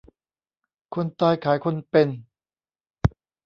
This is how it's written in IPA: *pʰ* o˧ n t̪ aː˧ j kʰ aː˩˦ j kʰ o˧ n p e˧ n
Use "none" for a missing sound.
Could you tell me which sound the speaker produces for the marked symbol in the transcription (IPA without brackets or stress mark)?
kʰ